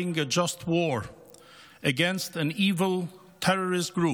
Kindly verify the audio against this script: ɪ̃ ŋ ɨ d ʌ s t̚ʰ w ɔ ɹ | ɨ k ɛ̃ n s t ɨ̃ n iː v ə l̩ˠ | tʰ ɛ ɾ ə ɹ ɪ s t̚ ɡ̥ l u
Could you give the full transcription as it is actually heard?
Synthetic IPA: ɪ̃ ŋ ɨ d͡ʒ ʌ s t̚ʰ w ɔ ɹ | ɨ ɡ ɛ̃ n s t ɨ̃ n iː v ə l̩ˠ | tʰ ɛ ɹ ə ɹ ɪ s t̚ ɡ̥ ɹ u